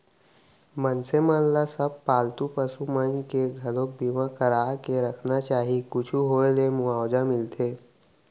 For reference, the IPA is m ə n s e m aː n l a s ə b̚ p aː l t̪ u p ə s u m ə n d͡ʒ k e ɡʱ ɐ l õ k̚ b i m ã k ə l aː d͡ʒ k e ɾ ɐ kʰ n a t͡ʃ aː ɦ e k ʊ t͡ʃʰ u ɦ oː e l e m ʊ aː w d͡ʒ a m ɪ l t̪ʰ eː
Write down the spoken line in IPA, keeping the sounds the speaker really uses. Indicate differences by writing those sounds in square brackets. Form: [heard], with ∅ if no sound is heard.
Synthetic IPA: m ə n s e m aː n l a s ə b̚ p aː l t̪ u p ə s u m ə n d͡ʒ k e ɡʱ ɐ l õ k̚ b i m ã k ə [ɾ] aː [∅] k e ɾ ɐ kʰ n a t͡ʃ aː ɦ [i] k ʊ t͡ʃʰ u ɦ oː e l e m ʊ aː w d͡ʒ a m ɪ l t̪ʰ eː

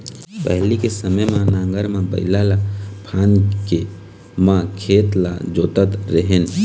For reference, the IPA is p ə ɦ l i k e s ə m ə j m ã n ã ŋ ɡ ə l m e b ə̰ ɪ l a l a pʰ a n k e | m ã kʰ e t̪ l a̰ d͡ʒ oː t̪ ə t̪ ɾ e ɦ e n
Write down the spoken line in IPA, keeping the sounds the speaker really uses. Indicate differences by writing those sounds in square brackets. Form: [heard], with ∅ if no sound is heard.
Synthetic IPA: p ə ɦ l i k e s ə m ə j m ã n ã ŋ ɡ ə [ɾ] m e b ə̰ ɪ l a l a pʰ a n k e | m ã kʰ e t̪ l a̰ d͡ʒ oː t̪ ə t̪ ɾ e ɦ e n

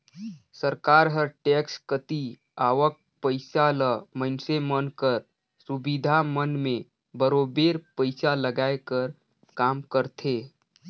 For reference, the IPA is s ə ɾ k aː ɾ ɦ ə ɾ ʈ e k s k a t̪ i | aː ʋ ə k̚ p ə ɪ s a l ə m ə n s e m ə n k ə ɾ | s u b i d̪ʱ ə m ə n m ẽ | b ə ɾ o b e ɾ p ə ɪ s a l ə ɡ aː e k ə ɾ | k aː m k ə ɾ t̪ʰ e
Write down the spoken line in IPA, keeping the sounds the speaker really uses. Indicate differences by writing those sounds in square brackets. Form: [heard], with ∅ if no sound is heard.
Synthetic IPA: s ə ɾ k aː ɾ ɦ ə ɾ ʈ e k s k [ə] t̪ i | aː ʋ ə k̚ p ə ɪ s a l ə m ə n s e m ə n k ə ɾ | s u b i d̪ʱ [a] m ə n m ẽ | b ə ɾ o b e ɾ p ə ɪ s a l ə ɡ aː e k ə ɾ | k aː m k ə ɾ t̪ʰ e

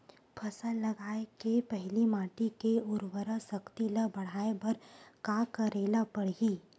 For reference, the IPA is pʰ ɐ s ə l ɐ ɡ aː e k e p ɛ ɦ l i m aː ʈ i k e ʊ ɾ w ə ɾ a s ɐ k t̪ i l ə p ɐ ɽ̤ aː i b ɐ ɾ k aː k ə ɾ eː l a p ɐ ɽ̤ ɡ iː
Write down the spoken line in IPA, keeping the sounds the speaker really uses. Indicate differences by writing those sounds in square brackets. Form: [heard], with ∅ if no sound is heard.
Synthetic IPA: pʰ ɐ s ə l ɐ ɡ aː e k e p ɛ ɦ l i m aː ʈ i k e ʊ ɾ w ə ɾ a s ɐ k t̪ i l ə [b] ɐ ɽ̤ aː [e] b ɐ ɾ k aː k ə ɾ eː l a p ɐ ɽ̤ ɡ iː

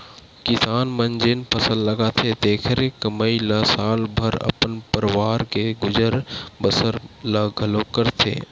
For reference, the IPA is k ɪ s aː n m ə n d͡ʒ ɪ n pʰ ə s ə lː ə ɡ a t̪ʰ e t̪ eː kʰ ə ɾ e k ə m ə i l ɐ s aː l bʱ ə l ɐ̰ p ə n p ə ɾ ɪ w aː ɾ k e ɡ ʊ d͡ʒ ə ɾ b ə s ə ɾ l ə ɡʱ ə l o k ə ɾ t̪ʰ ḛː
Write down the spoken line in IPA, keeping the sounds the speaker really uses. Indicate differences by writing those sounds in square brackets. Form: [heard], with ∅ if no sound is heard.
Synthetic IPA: k ɪ s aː n m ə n d͡ʒ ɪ n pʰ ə s ə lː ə ɡ a t̪ʰ e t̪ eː kʰ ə ɾ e k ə m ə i l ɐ s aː l bʱ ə [ɾ] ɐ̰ p ə n p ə ɾ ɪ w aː ɾ k e ɡ ʊ d͡ʒ ə ɾ b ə s ə ɾ l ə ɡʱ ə l o k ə ɾ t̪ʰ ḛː

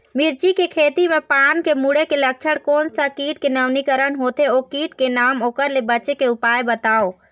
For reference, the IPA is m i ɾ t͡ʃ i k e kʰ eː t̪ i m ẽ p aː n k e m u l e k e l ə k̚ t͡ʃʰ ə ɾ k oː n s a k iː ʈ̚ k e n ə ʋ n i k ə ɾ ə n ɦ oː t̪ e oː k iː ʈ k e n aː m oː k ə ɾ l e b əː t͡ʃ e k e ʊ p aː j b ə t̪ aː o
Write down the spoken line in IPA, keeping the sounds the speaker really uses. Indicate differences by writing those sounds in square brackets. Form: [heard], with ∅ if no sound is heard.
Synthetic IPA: m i ɾ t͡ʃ i k e kʰ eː t̪ i m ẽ p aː n k e m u [ɽ] e k e l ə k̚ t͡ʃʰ ə [ɽ] k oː n s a k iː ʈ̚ k e n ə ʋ n i k ə ɾ ə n ɦ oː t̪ e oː k iː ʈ k e n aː m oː k ə ɾ l e b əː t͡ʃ e k e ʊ p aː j b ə t̪ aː o

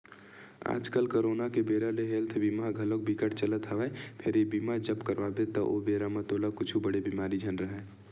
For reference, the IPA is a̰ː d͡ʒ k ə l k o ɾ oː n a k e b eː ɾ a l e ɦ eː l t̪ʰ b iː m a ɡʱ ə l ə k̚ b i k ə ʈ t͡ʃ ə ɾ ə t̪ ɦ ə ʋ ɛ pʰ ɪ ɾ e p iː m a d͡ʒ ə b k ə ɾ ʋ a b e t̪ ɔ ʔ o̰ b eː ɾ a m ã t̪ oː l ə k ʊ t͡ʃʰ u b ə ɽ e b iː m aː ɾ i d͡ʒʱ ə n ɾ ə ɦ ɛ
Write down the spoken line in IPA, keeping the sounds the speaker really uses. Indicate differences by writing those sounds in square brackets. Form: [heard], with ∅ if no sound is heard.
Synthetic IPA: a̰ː d͡ʒ k ə l k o ɾ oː n a k e b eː ɾ a l e ɦ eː l t̪ʰ b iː m a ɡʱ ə l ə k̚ b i k ə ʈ t͡ʃ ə [l] ə t̪ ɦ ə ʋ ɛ pʰ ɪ ɾ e [b] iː m a d͡ʒ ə b k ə ɾ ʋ a b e t̪ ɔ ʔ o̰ b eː ɾ a m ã t̪ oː l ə k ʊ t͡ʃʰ u b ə ɽ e b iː m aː ɾ i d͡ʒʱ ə n ɾ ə ɦ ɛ

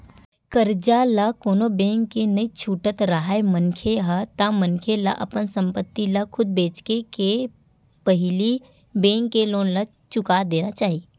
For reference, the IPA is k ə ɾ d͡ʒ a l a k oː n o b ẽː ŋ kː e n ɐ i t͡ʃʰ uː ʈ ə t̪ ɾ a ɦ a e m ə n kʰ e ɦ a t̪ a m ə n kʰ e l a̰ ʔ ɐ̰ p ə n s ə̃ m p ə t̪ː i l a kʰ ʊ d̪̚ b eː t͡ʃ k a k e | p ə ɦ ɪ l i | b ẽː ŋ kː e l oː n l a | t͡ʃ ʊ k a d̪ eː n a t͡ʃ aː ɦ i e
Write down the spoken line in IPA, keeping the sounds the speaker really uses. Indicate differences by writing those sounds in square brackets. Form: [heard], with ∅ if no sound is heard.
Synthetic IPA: k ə ɾ d͡ʒ a l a k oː n o b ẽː ŋ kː e n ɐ i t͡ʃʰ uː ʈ ə t̪ ɾ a ɦ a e m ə n kʰ e ɦ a t̪ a m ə n kʰ e l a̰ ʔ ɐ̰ p ə n s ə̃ m p ə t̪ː i l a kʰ ʊ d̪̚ b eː t͡ʃ k [e] k e | p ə ɦ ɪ l i | b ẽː ŋ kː e l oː n l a | t͡ʃ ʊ k a d̪ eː n a t͡ʃ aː ɦ i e

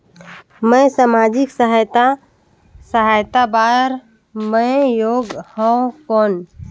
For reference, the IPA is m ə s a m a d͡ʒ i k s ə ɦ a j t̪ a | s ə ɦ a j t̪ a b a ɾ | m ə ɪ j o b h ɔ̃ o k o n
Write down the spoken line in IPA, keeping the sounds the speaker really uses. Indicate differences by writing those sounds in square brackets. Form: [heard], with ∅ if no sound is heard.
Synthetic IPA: m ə s a m a d͡ʒ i k s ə ɦ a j t̪ a | s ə ɦ a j t̪ a b a ɾ | m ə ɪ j o [ɡ] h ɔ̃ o k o n

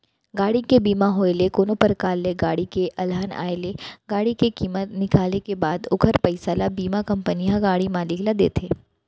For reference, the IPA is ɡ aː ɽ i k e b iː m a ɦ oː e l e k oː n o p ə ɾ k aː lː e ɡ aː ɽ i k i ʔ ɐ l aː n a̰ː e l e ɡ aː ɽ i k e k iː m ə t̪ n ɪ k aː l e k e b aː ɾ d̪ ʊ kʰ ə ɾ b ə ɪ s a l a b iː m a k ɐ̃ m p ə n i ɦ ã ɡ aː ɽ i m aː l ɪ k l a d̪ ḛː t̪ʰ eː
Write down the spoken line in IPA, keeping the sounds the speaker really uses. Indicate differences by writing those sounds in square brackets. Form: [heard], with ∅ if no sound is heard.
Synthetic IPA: ɡ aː ɽ i k e b iː m a ɦ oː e l e k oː n o p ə ɾ k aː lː e ɡ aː ɽ i k [e] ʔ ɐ l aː n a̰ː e l e ɡ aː ɽ i k e k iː m ə t̪ n ɪ k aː l e k e b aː [∅] d̪ ʊ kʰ ə ɾ [p] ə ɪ s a l a b iː m a k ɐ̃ m p ə n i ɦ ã ɡ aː ɽ i m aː l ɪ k l a d̪ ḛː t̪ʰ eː

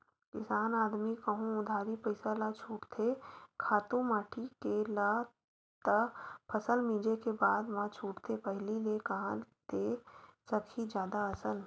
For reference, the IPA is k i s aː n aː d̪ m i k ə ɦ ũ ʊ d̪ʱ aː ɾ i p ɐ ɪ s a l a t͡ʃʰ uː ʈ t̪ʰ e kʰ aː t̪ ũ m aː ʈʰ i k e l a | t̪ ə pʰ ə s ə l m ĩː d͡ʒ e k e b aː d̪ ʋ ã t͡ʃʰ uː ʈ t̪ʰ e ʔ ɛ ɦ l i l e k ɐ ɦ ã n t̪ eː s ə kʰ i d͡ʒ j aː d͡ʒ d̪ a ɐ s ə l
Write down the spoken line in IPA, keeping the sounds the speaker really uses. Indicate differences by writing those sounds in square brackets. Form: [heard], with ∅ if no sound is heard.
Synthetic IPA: k [ɪ] s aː n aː d̪ m i k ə ɦ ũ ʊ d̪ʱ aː ɾ i p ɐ ɪ s a l a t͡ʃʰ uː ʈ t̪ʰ e kʰ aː t̪ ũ m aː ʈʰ i k e l a | t̪ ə pʰ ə s ə l m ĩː d͡ʒ e k e b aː d̪ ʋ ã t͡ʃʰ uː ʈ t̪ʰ e [p] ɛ ɦ l i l e k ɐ ɦ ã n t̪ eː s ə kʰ i d͡ʒ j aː [∅] d̪ a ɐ s ə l

